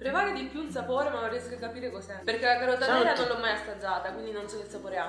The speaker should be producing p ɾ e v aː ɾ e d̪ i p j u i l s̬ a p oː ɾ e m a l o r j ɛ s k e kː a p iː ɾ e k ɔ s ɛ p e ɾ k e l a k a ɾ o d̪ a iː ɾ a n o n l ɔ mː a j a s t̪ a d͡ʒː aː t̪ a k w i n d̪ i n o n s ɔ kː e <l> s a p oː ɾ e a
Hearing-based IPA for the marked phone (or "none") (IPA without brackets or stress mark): l